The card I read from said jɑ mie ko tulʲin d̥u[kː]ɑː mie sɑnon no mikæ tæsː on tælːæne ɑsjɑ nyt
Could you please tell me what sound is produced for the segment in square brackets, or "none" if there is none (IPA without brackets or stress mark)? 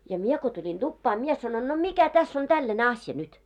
pː